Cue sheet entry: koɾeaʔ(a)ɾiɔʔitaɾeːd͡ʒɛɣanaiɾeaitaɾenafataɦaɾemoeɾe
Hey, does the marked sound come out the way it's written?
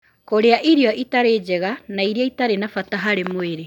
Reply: no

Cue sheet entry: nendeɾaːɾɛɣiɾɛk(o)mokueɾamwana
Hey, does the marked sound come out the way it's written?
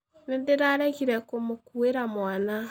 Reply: yes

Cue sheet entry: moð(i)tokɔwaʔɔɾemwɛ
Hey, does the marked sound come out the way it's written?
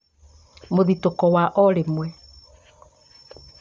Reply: yes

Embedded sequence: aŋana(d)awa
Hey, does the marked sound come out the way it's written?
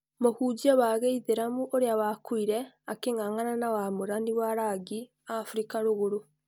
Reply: no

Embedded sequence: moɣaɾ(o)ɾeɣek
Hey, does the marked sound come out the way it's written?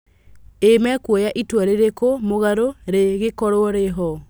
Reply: yes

